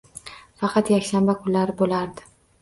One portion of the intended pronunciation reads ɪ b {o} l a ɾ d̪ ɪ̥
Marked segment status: correct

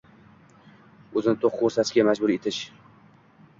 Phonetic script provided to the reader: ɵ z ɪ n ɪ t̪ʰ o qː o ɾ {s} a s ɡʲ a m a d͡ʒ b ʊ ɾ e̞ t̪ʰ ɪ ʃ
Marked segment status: correct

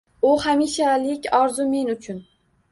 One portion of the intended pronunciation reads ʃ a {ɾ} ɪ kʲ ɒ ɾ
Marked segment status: incorrect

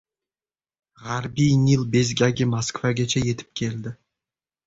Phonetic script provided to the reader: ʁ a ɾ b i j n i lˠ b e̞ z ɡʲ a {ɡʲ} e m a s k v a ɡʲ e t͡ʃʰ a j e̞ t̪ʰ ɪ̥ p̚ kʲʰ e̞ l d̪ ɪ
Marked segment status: correct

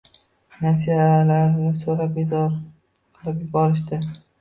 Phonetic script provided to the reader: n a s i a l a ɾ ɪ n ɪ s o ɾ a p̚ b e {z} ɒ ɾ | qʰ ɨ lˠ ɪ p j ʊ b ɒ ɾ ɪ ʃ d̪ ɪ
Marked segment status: correct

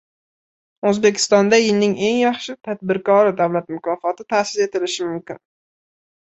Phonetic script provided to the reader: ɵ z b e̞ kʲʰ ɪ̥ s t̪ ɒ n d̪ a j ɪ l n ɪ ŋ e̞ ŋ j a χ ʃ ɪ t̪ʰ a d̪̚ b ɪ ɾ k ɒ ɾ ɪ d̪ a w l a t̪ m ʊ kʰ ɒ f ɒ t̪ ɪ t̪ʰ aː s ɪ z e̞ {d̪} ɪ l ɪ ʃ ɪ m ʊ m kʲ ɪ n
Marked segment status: incorrect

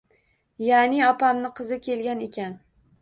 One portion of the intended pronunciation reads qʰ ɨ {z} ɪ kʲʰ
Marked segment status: correct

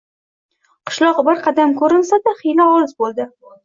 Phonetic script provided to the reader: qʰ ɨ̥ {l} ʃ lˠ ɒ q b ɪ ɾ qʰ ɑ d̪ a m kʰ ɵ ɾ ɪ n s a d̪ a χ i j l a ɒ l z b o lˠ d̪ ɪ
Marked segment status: incorrect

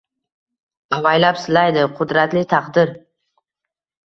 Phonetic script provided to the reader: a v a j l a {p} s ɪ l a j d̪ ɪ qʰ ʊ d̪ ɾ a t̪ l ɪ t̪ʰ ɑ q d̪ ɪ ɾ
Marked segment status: correct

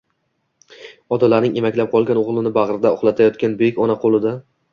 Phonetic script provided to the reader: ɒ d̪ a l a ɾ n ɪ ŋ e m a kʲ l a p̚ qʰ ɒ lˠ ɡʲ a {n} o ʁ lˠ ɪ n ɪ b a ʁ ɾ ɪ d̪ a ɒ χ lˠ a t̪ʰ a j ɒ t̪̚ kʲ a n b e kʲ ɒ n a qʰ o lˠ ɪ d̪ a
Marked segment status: correct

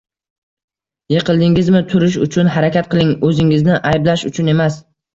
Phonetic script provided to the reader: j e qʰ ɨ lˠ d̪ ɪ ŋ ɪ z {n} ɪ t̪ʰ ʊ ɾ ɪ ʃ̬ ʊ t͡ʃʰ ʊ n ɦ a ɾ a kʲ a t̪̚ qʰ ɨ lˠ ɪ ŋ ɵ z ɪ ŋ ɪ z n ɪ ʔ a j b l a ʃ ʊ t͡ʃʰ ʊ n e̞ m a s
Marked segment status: incorrect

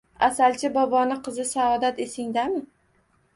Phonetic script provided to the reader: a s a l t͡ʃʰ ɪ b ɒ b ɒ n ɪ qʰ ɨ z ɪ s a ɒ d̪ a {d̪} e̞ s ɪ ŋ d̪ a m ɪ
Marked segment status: incorrect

